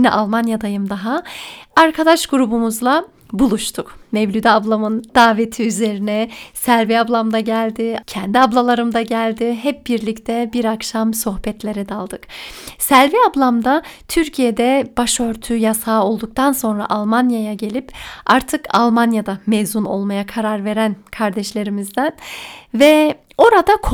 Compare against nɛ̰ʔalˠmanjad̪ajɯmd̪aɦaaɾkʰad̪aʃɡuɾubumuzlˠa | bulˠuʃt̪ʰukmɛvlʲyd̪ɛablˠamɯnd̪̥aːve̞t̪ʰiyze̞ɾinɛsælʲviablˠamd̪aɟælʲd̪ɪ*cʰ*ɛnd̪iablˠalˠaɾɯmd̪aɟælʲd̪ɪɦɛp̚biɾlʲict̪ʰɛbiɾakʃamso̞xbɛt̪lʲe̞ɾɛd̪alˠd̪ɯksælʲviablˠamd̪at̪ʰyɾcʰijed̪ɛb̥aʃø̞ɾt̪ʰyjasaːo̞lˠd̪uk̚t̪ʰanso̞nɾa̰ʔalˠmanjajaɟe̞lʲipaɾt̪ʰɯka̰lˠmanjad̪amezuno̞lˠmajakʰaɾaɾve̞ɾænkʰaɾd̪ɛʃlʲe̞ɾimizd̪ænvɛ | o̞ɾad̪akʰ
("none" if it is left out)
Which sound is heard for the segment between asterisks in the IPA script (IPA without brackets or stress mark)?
cʰ